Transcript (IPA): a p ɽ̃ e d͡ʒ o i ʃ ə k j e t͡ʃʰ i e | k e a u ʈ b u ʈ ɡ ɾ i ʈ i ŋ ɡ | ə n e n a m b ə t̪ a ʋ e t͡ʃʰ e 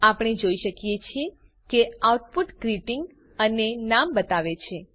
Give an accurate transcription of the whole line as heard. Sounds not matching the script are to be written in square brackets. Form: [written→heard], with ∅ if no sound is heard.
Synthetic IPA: a p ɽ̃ e d͡ʒ o i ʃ ə k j e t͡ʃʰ i e | k e a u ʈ [b→p] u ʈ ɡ ɾ i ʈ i ŋ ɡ | ə n e n a m b ə t̪ a ʋ e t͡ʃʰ e